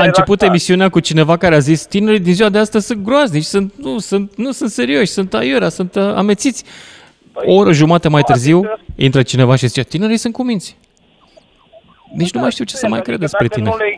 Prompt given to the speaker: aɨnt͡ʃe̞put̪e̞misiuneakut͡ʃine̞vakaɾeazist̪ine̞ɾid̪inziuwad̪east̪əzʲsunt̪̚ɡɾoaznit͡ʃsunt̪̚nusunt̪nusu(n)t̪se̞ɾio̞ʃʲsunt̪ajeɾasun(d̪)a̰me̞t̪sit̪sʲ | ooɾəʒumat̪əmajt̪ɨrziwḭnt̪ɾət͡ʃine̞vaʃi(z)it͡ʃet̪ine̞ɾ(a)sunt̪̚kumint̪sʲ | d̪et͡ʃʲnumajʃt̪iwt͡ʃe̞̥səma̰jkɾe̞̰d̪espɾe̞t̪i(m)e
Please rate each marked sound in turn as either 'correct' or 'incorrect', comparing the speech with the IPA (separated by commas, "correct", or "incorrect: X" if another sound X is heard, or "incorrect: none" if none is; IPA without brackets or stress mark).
correct, incorrect: t̪, correct, incorrect: i, incorrect: n